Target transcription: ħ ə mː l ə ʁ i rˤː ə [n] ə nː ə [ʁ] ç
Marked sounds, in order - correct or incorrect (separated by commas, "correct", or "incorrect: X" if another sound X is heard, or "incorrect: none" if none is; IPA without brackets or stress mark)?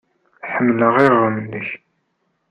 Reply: incorrect: m, incorrect: none